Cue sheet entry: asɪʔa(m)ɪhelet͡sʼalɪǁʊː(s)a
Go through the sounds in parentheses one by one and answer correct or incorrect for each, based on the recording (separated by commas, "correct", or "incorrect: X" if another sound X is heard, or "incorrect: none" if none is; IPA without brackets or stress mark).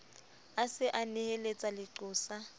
incorrect: n, correct